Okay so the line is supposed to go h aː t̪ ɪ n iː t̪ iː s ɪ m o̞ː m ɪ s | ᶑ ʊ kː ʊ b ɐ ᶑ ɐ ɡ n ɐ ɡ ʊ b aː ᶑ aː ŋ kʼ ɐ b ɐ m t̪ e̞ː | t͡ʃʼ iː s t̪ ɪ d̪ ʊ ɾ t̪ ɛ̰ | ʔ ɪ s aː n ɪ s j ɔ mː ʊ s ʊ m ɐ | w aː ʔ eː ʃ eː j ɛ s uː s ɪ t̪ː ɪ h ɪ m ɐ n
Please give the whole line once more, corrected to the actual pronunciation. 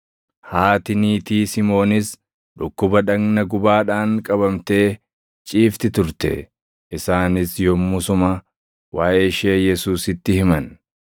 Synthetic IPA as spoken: h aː t̪ ɪ n iː t̪ iː s ɪ m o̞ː n ɪ s | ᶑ ʊ kː ʊ b ɐ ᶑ ɐ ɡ n ɐ ɡ ʊ b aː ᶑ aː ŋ kʼ ɐ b ɐ m t̪ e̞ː | t͡ʃʼ iː f t̪ ɪ t̪ ʊ ɾ t̪ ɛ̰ | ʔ ɪ s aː n ɪ s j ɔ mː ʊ s ʊ m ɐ | w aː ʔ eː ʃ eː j ɛ s uː s ɪ t̪ː ɪ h ɪ m ɐ n